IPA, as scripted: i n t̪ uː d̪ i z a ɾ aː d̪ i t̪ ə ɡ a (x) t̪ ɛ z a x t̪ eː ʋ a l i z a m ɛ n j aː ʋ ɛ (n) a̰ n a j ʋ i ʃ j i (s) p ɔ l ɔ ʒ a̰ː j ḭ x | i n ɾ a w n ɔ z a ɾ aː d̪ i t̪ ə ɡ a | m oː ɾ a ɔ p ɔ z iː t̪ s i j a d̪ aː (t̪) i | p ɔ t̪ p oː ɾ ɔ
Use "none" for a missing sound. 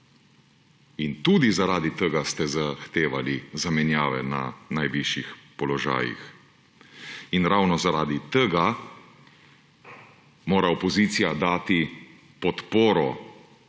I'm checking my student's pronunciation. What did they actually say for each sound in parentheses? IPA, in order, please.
s, n, x, t̪

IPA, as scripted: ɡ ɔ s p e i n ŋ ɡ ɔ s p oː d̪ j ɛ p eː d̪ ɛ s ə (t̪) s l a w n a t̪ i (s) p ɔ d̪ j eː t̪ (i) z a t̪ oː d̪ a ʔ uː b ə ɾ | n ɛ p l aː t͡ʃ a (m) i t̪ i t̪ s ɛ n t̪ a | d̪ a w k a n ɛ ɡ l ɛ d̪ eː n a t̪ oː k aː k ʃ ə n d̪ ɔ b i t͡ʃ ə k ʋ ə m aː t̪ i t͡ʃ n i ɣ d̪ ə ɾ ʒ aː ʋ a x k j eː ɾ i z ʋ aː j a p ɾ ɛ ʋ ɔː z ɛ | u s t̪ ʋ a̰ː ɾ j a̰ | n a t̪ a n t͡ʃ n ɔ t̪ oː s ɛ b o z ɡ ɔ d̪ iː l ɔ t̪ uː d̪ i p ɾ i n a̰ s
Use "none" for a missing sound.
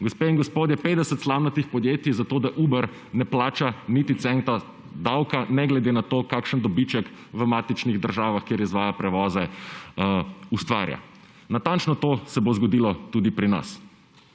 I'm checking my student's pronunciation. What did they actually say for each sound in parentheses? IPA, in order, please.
t̪, x, i, n

